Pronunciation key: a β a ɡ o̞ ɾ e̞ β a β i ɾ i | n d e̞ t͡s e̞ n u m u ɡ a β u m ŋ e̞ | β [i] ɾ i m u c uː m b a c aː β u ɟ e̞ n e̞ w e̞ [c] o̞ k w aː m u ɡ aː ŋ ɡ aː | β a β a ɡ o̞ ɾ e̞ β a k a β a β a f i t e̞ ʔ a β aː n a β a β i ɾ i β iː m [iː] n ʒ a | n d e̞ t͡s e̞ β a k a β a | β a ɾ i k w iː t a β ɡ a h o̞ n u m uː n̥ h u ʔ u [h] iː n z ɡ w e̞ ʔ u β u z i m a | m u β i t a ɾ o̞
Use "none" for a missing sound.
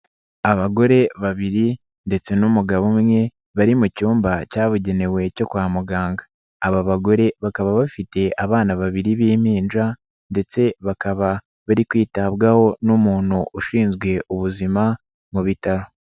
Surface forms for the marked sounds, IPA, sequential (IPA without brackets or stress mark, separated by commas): a, c, iː, ʃ